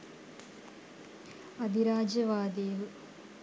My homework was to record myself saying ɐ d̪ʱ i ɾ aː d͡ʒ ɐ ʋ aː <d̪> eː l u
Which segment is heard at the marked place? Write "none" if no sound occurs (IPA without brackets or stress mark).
d̪